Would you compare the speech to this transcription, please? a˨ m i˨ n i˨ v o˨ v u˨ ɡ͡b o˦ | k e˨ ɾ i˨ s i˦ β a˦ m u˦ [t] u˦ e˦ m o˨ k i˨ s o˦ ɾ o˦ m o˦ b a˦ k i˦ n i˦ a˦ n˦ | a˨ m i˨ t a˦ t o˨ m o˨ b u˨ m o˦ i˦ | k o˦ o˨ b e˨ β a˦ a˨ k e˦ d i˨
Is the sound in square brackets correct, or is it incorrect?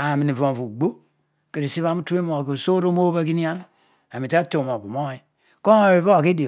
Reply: correct